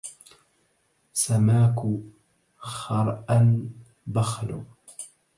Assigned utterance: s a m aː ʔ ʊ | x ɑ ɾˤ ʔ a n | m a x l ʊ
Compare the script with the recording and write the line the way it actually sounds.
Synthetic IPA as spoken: s a m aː k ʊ | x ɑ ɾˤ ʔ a n | b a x l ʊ